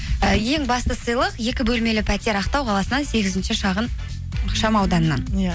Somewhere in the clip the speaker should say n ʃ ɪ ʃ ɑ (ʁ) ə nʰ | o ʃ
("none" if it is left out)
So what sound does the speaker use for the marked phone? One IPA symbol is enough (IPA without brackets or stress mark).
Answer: ʁ